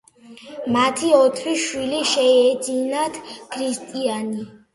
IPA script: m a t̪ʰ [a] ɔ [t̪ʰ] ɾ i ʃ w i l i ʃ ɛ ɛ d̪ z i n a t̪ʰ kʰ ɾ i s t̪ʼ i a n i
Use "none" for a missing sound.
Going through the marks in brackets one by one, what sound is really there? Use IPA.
i, t̪ʰ

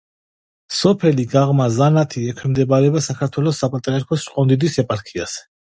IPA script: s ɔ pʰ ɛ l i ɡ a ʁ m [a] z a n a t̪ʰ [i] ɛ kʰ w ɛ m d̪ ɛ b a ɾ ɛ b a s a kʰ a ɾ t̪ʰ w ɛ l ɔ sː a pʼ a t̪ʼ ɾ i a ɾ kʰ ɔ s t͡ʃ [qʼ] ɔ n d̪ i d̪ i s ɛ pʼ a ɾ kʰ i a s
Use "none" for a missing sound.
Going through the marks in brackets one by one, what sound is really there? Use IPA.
a, i, qʼ

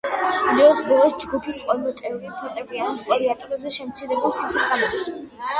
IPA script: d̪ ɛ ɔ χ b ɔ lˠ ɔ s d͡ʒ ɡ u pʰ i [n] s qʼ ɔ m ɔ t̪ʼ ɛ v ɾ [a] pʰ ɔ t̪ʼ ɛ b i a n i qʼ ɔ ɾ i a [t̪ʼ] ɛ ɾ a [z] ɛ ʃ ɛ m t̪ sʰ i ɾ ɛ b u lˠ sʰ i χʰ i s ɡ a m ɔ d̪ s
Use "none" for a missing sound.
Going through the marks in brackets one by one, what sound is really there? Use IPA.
none, i, t̪ʼ, z

